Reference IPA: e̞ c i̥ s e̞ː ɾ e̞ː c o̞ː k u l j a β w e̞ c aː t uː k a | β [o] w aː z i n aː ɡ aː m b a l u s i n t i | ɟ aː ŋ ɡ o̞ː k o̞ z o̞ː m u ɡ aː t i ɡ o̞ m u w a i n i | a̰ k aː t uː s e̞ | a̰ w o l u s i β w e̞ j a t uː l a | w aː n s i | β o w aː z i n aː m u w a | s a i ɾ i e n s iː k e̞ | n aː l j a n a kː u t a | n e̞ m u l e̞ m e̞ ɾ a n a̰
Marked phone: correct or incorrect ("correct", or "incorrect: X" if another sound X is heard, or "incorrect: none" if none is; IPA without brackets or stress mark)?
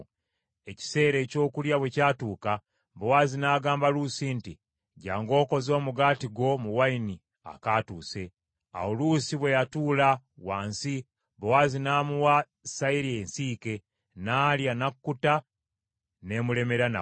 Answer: correct